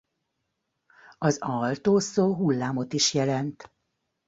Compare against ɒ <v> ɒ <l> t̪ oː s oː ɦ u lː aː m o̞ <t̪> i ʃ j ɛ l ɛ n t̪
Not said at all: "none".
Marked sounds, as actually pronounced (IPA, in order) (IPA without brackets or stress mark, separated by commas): z, l, t̪